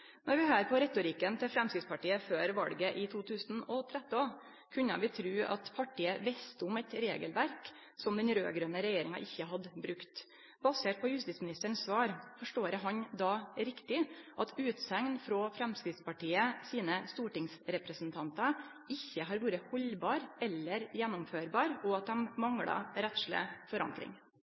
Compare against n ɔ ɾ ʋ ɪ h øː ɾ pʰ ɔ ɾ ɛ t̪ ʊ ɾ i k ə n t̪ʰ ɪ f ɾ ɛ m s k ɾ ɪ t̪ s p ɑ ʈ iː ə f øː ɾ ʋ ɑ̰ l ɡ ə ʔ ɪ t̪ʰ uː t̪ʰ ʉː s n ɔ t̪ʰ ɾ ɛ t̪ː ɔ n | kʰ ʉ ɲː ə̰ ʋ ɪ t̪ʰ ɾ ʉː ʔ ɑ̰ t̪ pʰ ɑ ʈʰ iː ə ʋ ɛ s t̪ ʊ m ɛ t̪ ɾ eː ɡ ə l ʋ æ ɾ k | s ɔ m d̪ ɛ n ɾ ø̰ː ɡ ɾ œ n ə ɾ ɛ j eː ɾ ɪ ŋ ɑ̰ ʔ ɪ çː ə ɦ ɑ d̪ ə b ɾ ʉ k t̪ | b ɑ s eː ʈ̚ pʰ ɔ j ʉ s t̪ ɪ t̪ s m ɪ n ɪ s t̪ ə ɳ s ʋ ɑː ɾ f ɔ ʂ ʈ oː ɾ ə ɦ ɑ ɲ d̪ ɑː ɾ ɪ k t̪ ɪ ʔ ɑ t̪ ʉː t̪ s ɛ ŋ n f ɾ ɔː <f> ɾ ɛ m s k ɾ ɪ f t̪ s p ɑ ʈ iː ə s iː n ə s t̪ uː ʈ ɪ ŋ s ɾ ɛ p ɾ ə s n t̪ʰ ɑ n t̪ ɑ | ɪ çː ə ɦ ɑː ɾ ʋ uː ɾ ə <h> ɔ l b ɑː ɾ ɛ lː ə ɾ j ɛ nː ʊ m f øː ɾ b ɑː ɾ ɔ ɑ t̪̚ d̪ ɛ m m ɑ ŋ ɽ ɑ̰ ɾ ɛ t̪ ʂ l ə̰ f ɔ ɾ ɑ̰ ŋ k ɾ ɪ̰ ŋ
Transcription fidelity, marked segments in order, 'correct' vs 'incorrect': correct, correct

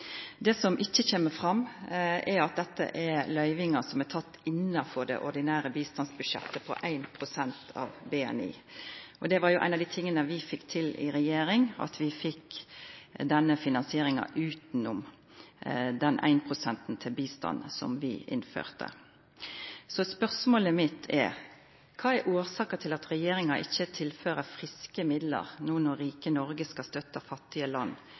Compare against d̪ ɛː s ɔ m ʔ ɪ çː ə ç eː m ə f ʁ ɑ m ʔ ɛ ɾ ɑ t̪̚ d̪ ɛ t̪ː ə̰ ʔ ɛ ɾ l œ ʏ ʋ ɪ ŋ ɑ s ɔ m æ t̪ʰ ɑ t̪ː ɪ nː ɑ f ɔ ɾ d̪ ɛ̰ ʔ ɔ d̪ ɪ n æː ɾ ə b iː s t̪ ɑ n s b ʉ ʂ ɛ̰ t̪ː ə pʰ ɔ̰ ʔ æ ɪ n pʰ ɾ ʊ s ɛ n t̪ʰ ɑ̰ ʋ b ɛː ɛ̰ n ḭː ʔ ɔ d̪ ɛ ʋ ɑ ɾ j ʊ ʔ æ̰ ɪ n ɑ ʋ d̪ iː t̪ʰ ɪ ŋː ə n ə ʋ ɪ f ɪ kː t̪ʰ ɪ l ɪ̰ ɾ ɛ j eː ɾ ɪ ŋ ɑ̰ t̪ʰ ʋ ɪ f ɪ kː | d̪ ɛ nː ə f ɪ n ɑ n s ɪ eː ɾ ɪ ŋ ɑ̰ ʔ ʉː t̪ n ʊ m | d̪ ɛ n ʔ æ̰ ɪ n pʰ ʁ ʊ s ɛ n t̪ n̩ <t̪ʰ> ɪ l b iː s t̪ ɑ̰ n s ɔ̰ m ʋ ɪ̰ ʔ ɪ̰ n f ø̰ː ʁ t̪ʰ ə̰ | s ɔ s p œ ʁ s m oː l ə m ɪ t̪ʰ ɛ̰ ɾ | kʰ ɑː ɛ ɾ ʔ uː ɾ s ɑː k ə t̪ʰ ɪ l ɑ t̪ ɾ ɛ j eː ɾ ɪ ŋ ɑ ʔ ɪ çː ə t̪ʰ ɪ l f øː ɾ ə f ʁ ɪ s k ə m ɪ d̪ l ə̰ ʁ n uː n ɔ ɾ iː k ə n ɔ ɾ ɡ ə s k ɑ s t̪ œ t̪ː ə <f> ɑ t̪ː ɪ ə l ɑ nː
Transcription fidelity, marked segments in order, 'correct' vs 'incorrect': correct, correct

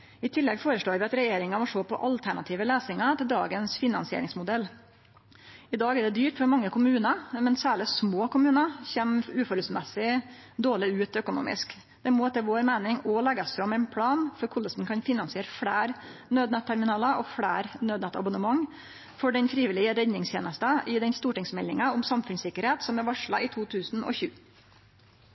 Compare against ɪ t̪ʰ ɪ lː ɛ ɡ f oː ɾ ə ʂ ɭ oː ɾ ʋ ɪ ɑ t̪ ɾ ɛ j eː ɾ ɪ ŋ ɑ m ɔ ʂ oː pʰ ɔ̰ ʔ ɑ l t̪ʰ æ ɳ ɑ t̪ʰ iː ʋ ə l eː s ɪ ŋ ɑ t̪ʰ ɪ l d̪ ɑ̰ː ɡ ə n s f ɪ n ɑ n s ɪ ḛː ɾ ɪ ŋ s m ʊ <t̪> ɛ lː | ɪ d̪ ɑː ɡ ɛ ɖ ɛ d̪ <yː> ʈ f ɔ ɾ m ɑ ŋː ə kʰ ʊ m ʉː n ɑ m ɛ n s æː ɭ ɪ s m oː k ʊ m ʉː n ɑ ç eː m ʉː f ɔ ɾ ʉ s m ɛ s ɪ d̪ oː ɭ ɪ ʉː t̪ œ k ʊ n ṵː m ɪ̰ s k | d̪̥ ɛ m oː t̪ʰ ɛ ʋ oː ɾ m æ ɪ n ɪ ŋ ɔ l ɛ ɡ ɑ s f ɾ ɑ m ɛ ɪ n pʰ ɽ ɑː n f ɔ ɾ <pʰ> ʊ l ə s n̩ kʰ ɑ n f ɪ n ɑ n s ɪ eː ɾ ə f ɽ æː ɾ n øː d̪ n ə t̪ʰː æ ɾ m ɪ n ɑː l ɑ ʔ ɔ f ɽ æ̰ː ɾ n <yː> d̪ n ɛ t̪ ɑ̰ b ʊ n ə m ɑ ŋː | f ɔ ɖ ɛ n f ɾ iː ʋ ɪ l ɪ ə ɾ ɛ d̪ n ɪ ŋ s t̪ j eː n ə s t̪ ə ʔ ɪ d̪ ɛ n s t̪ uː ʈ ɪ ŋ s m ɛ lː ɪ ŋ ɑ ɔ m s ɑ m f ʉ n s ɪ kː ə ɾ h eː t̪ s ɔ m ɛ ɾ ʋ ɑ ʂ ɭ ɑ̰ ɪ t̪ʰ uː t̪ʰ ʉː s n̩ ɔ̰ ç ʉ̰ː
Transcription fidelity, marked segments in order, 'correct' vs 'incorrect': incorrect: d̪, correct, incorrect: kʰ, incorrect: øː

